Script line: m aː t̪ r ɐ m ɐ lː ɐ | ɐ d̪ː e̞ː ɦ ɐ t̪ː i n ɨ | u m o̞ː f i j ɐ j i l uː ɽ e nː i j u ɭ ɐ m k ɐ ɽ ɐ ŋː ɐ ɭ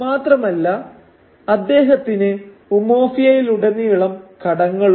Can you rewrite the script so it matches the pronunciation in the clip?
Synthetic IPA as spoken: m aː t̪ r ɐ m ɐ lː ɐ | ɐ d̪ː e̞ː ɦ ɐ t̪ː i n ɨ | u m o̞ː f i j ɐ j i l u ɽ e nː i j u ɭ ɐ m k ɐ ɽ ɐ ŋː ɐ ɭ